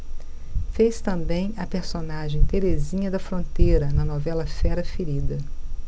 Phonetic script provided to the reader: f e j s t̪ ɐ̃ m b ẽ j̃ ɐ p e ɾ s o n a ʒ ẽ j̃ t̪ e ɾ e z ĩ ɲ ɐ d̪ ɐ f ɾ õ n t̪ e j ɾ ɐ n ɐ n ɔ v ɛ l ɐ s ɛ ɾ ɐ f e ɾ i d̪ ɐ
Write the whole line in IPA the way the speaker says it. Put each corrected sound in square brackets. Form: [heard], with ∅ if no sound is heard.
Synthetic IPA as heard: f e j s t̪ ɐ̃ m b ẽ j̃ ɐ p e ɾ s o n a ʒ ẽ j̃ t̪ e ɾ e z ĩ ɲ ɐ d̪ ɐ f ɾ õ n t̪ e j ɾ ɐ n ɐ n ɔ v ɛ l ɐ [f] ɛ ɾ ɐ f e ɾ i d̪ ɐ

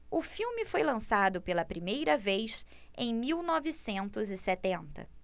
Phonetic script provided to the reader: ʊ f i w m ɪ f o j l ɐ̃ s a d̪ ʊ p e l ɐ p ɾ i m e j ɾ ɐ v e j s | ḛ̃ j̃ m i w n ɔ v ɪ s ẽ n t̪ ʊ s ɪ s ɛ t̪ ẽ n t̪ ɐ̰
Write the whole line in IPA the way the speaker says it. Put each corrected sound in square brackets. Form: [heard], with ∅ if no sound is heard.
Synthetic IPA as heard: ʊ f i w m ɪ f o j l ɐ̃ s a d̪ ʊ p e l ɐ p ɾ i m e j ɾ ɐ v e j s | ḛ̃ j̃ m i w n ɔ v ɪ s ẽ n t̪ ʊ [z] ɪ s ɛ t̪ ẽ n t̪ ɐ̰

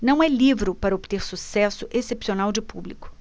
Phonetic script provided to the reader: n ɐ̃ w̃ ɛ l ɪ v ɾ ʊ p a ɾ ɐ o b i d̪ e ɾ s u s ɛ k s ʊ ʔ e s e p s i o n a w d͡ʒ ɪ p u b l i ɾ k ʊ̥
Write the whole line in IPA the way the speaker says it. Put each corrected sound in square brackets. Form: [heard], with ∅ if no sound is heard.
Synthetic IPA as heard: n ɐ̃ w̃ ɛ l [i] v ɾ ʊ p a ɾ ɐ o b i [t̪] e ɾ s u s ɛ [∅] s ʊ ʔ e s e p s i o n a w d͡ʒ ɪ p u b l i [∅] k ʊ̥

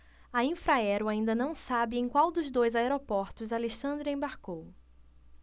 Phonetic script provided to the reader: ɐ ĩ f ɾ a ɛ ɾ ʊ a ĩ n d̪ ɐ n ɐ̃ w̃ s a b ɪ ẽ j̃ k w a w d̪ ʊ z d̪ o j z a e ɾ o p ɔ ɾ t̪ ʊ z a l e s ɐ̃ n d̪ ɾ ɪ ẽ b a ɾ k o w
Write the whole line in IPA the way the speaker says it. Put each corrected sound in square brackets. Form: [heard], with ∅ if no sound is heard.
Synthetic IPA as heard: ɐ ĩ f ɾ a ɛ ɾ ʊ a ĩ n d̪ ɐ n ɐ̃ w̃ s a b ɪ ẽ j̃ k w a w d̪ ʊ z d̪ o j z a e ɾ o p ɔ ɾ t̪ ʊ z a l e [ʃ] ɐ̃ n d̪ ɾ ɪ ẽ b a ɾ k o w

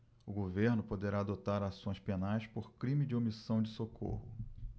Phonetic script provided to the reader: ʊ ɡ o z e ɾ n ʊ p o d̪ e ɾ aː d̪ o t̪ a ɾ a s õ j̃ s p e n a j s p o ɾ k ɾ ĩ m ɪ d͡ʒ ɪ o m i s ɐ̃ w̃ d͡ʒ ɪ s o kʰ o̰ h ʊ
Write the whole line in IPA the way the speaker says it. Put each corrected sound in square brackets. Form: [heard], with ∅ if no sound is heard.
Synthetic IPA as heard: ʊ ɡ o [v] e ɾ n ʊ p o d̪ e ɾ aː d̪ o t̪ a ɾ a s õ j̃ s p e n a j s p o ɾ k ɾ ĩ m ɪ d͡ʒ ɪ o m i s ɐ̃ w̃ d͡ʒ ɪ s o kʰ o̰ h ʊ

